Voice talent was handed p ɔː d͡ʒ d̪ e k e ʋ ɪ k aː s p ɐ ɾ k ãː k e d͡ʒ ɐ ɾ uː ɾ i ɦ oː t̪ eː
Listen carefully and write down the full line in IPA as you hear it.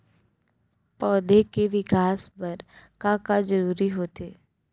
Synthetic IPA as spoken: p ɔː d̪ e k e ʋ ɪ k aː s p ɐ ɾ k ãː k a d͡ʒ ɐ ɾ uː ɾ i ɦ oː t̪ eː